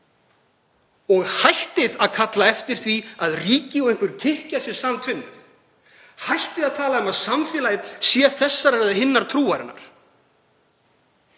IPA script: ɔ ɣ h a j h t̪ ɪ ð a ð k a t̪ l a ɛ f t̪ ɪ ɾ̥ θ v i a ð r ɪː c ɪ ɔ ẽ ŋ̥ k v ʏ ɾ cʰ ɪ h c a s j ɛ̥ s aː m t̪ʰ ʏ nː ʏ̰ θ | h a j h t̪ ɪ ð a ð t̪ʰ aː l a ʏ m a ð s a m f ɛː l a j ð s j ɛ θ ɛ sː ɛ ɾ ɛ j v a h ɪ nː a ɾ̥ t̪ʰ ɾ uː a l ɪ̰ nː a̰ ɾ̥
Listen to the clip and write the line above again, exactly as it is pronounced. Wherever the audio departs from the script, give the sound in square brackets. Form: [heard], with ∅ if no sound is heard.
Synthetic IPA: ɔ ɣ h a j h t̪ ɪ ð a ð [kʰ] a t̪ l a ɛ f t̪ ɪ ɾ̥ θ v i a ð r [iː] c ɪ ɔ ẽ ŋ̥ k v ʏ ɾ cʰ ɪ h c a s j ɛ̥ s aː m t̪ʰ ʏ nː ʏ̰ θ | h a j h t̪ ɪ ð a ð t̪ʰ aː l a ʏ m a ð s a m f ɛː l a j ð s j ɛ θ ɛ sː [a] ɾ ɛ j [ð] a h ɪ nː a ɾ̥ t̪ʰ ɾ uː a [ɾ] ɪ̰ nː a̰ ɾ̥